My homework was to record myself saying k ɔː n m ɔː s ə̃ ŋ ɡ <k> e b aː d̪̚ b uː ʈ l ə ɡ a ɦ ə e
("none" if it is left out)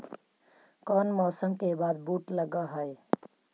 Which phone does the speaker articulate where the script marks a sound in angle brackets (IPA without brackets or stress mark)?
k